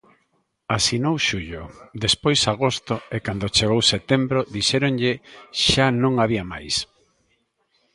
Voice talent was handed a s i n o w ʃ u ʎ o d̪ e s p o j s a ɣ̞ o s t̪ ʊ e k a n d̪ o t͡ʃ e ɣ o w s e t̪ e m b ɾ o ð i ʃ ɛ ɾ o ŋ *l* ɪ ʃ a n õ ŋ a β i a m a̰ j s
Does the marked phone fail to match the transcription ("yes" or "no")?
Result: yes